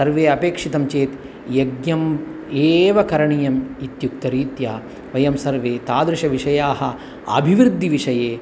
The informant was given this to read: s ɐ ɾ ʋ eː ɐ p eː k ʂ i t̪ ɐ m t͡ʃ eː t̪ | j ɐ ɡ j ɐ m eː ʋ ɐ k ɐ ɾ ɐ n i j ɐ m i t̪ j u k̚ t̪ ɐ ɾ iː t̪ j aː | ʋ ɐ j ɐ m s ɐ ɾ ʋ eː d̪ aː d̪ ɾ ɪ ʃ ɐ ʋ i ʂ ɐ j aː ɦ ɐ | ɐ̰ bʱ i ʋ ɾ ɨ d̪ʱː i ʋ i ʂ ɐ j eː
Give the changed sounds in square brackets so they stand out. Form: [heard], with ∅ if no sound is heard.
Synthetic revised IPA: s ɐ ɾ ʋ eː ɐ p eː k ʂ i t̪ ɐ m t͡ʃ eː t̪ | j ɐ ɡ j ɐ m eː ʋ ɐ k ɐ ɾ ɐ [ɳ] i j ɐ m i t̪ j u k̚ t̪ ɐ ɾ iː t̪ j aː | ʋ ɐ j ɐ m s ɐ ɾ ʋ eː [t̪] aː d̪ ɾ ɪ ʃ ɐ ʋ i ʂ ɐ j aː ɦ ɐ | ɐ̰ bʱ i ʋ ɾ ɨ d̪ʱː i ʋ i ʂ ɐ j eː